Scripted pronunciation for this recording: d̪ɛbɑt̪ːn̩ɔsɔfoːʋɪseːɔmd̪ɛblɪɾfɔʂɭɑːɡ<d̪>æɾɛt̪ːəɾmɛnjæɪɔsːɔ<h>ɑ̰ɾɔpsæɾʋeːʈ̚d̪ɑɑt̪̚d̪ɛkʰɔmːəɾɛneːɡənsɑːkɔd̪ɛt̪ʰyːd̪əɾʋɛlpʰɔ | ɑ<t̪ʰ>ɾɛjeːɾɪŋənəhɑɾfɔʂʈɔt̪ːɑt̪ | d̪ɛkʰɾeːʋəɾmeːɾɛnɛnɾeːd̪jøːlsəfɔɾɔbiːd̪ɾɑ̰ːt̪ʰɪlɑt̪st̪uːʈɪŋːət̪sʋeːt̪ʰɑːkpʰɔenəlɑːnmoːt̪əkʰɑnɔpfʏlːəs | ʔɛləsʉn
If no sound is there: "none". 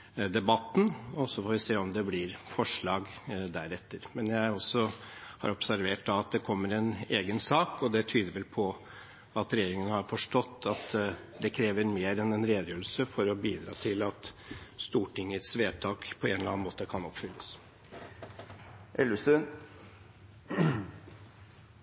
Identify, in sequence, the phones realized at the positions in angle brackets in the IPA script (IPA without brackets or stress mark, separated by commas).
d̪, h, t̪